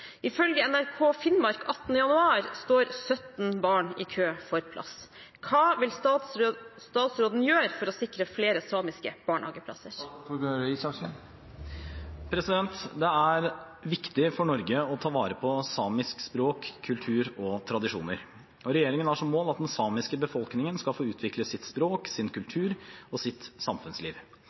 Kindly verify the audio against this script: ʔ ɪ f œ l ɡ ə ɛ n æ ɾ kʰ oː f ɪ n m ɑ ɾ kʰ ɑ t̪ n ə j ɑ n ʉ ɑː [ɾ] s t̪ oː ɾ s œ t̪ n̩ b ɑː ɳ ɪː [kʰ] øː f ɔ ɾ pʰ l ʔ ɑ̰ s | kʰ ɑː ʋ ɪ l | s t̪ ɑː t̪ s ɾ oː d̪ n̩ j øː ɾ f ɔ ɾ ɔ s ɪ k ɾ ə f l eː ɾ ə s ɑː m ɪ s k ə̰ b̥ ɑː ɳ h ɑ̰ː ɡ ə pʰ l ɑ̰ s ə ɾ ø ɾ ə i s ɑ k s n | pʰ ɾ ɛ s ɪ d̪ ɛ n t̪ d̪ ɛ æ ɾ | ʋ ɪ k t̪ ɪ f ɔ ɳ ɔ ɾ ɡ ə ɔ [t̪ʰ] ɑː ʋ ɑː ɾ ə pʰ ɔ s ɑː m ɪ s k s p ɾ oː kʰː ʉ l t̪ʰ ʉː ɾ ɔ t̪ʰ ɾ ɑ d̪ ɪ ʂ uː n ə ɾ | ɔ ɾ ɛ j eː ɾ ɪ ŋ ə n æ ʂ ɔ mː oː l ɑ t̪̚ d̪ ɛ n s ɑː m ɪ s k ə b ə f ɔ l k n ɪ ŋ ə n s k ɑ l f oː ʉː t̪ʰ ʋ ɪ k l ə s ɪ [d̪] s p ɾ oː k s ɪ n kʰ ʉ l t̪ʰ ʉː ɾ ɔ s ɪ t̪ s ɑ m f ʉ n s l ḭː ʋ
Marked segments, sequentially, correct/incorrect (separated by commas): correct, correct, correct, incorrect